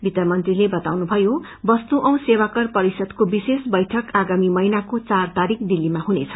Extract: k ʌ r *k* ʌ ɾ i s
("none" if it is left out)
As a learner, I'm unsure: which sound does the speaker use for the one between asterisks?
p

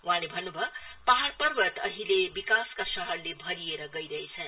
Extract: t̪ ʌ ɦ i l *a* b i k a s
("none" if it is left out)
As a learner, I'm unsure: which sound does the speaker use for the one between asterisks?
e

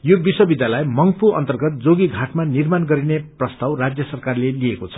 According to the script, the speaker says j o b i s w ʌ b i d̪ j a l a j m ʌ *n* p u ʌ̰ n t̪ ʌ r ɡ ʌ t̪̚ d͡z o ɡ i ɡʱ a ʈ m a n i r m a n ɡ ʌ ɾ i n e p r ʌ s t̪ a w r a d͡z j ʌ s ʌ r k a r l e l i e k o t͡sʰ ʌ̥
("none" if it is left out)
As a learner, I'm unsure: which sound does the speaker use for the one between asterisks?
ŋ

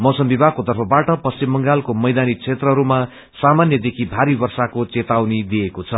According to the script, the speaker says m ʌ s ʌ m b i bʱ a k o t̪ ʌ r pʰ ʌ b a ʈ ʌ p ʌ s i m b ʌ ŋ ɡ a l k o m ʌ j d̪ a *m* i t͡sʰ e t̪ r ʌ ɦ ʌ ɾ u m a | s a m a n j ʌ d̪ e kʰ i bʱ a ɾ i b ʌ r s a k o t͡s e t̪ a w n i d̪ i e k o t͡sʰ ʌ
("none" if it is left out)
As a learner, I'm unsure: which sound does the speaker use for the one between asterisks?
n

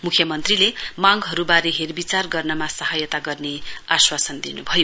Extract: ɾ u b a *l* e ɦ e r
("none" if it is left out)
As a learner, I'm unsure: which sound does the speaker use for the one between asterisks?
ɾ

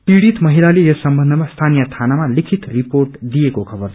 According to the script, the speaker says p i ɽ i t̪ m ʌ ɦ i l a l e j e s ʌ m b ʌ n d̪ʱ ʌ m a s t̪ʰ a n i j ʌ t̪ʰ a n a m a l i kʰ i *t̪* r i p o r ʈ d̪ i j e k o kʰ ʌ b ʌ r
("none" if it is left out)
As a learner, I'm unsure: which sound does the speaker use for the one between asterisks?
t̪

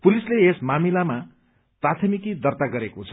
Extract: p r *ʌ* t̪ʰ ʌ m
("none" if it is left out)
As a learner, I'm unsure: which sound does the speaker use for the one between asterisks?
a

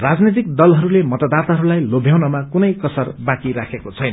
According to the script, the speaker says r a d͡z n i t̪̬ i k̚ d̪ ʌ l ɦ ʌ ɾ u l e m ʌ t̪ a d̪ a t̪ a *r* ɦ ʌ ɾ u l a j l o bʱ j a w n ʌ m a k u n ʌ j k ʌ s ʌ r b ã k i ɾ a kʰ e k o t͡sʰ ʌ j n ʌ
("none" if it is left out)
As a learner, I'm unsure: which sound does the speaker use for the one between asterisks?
none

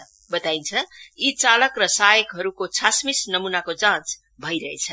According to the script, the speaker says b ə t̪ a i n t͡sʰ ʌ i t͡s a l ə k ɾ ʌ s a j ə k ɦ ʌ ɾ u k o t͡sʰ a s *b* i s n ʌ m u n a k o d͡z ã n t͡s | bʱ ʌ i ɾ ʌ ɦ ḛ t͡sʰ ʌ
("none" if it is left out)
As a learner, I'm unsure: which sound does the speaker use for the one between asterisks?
m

